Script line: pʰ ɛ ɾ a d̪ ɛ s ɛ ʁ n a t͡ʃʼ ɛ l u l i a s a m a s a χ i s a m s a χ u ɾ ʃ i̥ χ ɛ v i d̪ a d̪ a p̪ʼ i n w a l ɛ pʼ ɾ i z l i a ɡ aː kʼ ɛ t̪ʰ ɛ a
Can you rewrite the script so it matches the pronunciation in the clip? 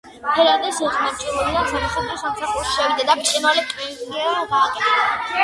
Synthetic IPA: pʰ ɛ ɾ a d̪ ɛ s ɛ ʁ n a t͡ʃʼ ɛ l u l i a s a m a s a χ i s a m s a χ u ɾ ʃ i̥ ʃ ɛ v i d̪ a d̪ a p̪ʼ i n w a l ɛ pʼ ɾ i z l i a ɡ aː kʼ ɛ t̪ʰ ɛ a

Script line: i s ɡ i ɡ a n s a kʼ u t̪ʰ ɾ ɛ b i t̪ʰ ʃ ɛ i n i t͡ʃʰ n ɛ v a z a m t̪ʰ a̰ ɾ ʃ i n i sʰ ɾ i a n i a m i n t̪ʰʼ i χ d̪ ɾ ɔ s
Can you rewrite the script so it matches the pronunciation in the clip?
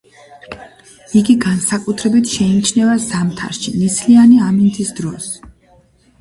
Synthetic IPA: i ɡ i ɡ a n s a kʼ u t̪ʰ ɾ ɛ b i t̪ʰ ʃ ɛ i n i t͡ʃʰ n ɛ v a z a m t̪ʰ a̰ ɾ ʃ i n i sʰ l i a n i a m i n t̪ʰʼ i s d̪ ɾ ɔ s

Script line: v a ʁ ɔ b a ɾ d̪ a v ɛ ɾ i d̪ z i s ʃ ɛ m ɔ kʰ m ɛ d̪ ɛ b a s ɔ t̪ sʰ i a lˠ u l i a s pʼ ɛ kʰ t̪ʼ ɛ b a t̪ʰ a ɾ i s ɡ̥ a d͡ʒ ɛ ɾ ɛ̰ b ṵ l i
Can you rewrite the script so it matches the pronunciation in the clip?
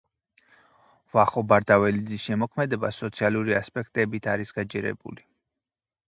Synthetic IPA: v a χ ɔ b a ɾ d̪ a v ɛ l i d̪ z i s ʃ ɛ m ɔ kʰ m ɛ d̪ ɛ b a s ɔ t̪ sʰ i a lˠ u ɾ i a s pʼ ɛ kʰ t̪ʼ ɛ b i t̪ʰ a ɾ i s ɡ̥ a d͡ʒ ɛ ɾ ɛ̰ b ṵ l i

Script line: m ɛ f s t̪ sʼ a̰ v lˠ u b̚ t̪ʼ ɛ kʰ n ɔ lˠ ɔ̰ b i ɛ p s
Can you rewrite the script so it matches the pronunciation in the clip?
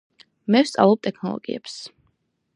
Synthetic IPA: m ɛ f s t̪ sʼ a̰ v lˠ ɔ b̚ t̪ʼ ɛ kʰ n ɔ lˠ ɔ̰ ɡ i ɛ p s

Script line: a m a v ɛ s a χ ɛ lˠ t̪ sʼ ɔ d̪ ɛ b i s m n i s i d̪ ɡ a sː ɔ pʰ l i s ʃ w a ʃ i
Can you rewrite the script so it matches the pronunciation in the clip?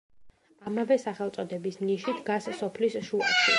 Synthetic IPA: a m a v ɛ s a χ ɛ lˠ t̪ sʼ ɔ d̪ ɛ b i s m n i ʃ i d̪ ɡ a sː ɔ pʰ l i s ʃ u a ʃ i

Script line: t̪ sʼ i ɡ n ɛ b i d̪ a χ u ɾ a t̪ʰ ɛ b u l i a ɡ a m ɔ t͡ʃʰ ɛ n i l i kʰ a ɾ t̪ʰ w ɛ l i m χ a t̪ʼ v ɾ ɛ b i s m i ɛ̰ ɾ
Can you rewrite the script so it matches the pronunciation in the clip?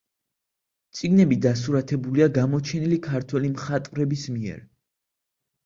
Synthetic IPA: t̪ sʼ i ɡ n ɛ b i d̪ a s u ɾ a t̪ʰ ɛ b u l i a ɡ a m ɔ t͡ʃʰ ɛ n i l i kʰ a ɾ t̪ʰ w ɛ l i m χ a t̪ʼ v ɾ ɛ b i s m i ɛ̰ ɾ

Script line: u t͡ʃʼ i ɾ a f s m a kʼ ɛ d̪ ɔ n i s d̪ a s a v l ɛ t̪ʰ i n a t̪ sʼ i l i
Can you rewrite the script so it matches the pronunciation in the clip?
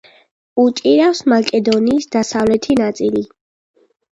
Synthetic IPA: u t͡ʃʼ i ɾ a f s m a kʼ ɛ d̪ ɔ n iː s d̪ a s a v l ɛ t̪ʰ i n a t̪ sʼ i l i

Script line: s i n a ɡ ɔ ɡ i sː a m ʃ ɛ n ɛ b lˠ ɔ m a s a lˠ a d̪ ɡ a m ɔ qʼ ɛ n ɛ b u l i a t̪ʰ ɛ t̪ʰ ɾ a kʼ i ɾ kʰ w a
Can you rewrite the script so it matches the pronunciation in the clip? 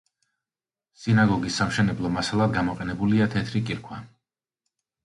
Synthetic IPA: s i n a ɡ ɔ ɡ i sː a m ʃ ɛ n ɛ b lˠ ɔ m a s a lˠ a d̪ ɡ a m ɔ qʼ ɛ n ɛ b u l i a t̪ʰ ɛ t̪ʰ ɾ i kʼ i ɾ kʰ w a

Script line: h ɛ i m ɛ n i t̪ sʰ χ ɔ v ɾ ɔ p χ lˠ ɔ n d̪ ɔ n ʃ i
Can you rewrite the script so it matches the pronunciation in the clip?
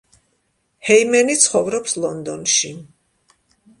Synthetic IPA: h ɛ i m ɛ n i t̪ sʰ χ ɔ v ɾ ɔ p s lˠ ɔ n d̪ ɔ n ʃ i

